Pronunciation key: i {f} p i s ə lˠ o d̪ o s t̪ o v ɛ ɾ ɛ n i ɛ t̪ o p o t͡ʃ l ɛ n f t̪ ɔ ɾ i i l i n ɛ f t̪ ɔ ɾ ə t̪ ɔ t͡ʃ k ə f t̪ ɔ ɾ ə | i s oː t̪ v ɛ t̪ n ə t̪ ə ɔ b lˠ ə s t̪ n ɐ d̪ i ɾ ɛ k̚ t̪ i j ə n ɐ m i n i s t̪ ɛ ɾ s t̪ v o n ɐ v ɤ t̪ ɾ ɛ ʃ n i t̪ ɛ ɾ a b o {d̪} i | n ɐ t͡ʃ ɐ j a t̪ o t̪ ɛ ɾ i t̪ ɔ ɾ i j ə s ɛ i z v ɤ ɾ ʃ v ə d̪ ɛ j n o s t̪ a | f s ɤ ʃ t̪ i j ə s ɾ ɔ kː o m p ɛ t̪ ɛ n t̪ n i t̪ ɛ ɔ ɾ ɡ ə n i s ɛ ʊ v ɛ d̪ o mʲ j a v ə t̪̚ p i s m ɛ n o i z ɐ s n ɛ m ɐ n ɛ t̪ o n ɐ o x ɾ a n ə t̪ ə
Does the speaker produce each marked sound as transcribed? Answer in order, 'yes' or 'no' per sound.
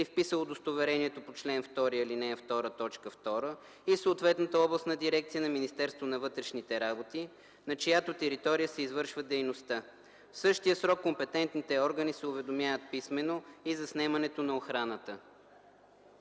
yes, no

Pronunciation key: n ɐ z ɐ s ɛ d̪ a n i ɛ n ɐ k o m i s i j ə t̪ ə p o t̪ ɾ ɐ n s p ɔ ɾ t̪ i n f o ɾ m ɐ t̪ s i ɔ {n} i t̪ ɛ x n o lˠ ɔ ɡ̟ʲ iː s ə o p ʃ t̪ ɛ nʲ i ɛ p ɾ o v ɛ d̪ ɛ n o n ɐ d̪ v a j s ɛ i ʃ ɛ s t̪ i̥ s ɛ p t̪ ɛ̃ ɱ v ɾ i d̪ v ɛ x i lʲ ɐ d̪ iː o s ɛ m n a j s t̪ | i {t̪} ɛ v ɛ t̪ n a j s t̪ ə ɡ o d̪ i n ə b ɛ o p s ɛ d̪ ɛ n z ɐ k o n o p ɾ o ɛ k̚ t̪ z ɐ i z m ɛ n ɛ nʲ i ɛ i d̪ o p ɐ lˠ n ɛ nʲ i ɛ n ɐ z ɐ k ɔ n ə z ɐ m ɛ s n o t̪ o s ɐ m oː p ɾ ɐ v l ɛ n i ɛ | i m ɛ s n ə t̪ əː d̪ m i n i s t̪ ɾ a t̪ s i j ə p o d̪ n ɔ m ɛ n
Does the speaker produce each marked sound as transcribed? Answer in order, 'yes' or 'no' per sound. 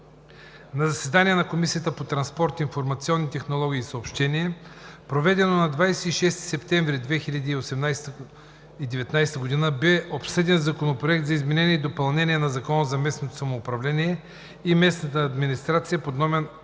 no, no

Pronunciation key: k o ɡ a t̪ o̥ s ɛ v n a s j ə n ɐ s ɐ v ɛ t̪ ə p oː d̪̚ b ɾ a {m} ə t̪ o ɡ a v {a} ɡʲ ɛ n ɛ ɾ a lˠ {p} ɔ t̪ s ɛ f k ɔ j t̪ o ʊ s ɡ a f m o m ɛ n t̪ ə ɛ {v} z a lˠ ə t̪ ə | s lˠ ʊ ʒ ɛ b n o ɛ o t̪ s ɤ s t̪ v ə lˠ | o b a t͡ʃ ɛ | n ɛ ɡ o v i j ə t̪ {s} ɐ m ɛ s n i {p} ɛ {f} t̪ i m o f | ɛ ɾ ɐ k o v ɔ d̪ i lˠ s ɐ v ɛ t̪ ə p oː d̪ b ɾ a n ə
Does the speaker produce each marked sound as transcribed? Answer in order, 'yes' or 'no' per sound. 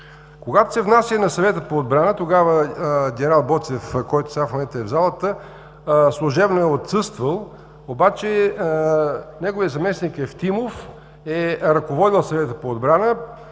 no, no, no, yes, no, no, yes

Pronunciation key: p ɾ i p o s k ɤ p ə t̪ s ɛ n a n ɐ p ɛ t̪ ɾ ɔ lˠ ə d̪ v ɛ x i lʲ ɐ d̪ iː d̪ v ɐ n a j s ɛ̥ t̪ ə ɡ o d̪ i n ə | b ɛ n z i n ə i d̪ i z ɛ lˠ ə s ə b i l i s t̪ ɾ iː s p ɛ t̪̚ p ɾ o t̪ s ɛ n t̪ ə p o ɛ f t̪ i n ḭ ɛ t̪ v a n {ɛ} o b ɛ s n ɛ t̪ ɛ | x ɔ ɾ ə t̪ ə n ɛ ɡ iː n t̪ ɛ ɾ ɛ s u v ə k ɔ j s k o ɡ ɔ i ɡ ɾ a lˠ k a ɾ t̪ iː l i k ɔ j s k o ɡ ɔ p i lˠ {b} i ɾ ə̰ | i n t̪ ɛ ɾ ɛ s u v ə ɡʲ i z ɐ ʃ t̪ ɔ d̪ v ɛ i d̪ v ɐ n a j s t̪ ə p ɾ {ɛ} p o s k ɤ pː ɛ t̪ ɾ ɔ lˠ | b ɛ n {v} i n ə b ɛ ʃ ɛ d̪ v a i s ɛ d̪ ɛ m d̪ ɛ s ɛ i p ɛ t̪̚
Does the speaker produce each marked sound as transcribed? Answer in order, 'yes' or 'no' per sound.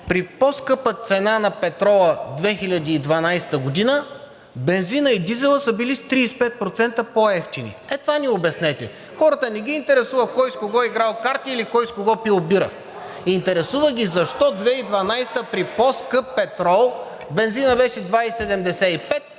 no, yes, no, no

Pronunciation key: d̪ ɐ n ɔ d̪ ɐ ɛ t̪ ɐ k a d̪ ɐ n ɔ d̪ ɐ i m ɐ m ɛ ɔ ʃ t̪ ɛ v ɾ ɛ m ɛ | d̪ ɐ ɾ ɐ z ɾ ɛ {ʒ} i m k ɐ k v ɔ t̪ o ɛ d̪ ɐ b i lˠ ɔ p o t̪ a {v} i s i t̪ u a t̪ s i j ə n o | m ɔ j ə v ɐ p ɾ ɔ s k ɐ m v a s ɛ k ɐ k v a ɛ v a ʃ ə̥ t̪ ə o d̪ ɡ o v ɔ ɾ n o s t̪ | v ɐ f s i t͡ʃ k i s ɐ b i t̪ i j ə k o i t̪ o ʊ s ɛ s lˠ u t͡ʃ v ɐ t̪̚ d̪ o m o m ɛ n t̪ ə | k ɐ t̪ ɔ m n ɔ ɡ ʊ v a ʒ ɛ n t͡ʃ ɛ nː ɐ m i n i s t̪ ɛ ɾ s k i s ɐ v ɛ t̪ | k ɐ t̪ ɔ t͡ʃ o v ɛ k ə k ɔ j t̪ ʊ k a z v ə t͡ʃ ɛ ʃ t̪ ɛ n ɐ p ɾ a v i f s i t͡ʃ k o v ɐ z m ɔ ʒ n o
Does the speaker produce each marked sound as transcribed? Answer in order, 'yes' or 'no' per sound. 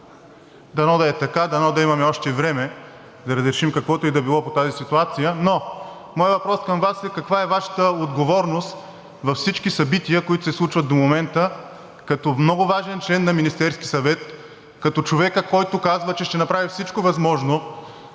no, no

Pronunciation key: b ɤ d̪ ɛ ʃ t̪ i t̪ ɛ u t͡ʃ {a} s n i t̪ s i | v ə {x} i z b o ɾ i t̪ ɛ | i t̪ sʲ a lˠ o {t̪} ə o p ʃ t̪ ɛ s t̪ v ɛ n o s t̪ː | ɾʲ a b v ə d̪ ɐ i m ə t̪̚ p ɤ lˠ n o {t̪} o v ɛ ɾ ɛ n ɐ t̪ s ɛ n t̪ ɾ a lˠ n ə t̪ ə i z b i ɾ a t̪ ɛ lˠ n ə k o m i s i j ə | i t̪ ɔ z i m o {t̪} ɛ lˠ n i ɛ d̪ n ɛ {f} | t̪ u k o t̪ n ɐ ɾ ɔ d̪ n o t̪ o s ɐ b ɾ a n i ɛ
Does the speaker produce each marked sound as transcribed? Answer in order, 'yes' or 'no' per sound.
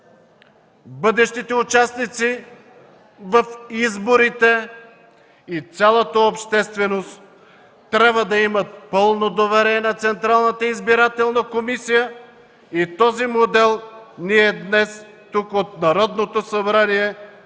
yes, no, yes, no, no, no

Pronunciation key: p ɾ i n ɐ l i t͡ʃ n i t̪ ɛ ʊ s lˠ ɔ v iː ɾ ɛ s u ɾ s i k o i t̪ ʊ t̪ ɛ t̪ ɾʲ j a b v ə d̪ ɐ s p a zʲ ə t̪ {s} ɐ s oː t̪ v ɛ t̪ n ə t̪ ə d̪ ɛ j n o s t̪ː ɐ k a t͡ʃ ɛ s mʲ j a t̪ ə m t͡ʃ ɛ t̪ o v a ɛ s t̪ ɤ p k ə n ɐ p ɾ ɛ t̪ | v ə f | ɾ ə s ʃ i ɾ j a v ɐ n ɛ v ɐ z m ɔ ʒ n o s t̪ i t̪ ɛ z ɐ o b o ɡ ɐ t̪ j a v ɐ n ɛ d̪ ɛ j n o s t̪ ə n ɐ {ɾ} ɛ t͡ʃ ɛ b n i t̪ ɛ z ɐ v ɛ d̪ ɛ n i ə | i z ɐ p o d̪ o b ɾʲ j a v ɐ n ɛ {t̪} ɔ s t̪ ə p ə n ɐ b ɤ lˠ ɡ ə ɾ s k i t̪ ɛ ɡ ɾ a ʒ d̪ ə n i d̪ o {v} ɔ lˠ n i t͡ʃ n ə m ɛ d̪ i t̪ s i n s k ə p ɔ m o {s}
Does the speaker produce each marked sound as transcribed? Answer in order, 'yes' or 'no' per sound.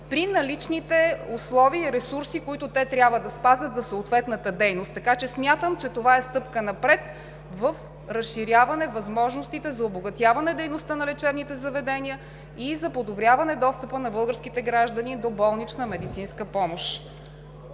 no, no, no, no, no

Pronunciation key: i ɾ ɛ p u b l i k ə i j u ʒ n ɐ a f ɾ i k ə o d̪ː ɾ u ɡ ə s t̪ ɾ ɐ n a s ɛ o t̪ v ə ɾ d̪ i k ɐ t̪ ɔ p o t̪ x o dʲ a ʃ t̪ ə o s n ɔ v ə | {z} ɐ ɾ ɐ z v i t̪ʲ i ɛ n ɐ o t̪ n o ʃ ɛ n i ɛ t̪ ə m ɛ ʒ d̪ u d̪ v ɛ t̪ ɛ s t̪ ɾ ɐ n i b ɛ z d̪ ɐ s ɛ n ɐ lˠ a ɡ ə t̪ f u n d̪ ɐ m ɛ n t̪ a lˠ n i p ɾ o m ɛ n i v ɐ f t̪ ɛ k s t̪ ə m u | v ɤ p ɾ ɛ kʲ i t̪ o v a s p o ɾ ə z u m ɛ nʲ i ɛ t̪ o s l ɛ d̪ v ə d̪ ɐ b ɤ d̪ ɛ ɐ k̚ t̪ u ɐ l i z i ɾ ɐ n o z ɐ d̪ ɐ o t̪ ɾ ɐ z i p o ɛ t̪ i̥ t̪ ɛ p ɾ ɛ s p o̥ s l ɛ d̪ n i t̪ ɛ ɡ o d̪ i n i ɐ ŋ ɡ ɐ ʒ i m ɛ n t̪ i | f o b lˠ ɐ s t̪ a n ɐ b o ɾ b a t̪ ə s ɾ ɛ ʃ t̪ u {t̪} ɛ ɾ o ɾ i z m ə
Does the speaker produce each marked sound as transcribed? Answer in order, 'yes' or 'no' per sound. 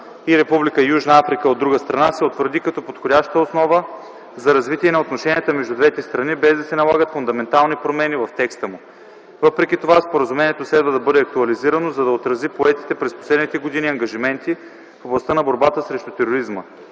yes, yes

